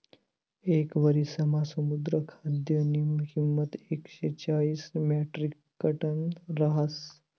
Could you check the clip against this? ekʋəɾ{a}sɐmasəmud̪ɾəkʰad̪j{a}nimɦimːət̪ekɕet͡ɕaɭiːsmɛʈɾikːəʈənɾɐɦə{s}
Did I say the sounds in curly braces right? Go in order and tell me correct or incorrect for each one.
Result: incorrect: i, incorrect: ə, correct

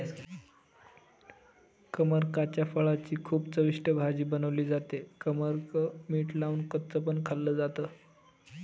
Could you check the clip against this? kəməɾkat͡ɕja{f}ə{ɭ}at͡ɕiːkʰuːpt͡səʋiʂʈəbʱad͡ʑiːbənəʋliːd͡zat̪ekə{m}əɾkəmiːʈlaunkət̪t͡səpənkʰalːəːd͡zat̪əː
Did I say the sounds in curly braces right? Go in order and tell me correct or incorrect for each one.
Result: correct, correct, correct

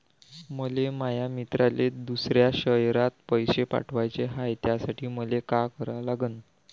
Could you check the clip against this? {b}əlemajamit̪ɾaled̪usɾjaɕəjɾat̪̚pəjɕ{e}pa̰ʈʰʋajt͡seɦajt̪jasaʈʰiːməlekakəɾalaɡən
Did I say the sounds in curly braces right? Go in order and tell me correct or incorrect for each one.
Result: incorrect: m, correct

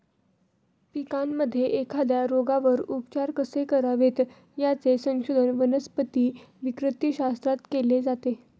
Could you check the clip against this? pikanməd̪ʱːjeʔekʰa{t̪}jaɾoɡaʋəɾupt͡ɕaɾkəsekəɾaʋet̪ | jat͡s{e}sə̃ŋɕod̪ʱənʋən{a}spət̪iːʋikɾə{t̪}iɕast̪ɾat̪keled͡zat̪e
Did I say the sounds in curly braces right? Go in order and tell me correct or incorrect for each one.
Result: incorrect: d̪, correct, incorrect: ə, correct

